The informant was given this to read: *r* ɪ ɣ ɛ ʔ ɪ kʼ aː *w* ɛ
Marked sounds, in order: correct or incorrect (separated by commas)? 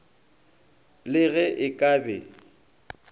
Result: incorrect, incorrect